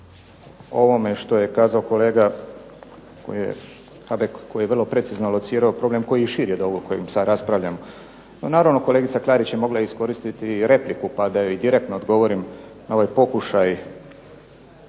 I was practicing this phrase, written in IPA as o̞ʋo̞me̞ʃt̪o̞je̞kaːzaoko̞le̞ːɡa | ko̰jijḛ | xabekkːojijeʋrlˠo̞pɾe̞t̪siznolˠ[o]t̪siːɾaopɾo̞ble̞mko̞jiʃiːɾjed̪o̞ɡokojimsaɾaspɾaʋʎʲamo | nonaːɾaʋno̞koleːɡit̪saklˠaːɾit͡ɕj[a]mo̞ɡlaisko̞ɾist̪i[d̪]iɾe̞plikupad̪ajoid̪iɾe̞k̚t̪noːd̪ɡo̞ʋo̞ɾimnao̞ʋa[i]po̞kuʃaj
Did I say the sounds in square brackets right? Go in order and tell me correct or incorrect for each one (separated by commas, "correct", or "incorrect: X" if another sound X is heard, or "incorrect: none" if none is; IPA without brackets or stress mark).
correct, incorrect: e, incorrect: t̪, incorrect: j